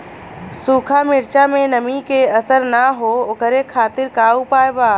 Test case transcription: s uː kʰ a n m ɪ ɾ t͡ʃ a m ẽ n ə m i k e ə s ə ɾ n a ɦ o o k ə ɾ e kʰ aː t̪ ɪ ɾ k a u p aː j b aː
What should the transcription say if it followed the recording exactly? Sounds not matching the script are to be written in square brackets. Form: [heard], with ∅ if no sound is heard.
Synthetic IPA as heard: s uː kʰ a [∅] m ɪ ɾ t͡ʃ a m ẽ n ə m i k e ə s ə ɾ n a ɦ o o k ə ɾ e kʰ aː t̪ ɪ ɾ k a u p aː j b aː